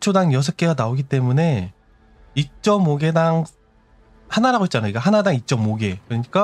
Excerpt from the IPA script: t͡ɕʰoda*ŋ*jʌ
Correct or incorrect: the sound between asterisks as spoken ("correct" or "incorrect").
correct